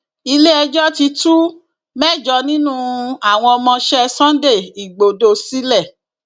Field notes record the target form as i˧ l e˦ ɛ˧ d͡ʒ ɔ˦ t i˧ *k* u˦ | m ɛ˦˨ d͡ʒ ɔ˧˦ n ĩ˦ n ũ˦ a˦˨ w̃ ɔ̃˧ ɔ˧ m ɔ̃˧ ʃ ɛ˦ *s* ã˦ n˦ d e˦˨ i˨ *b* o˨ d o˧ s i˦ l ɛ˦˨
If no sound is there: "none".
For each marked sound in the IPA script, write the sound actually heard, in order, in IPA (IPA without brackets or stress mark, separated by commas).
t, s, ɡ͡b